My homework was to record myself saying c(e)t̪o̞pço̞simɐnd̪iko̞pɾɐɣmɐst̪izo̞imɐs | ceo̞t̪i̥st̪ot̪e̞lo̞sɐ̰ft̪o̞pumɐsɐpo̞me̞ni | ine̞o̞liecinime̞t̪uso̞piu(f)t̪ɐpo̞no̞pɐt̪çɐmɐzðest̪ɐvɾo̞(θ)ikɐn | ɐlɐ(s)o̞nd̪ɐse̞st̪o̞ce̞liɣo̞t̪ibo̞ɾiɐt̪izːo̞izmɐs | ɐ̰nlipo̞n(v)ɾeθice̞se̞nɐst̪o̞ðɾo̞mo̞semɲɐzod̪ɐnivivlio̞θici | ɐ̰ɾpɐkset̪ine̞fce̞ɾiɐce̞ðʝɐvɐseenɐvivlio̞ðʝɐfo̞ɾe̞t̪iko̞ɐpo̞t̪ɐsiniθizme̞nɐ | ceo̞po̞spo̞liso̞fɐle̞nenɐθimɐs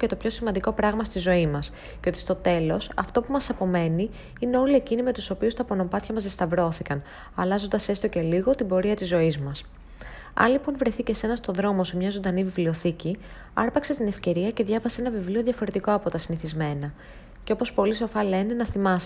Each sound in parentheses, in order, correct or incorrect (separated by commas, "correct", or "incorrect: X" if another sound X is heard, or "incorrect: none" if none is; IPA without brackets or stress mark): correct, incorrect: s, correct, incorrect: z, correct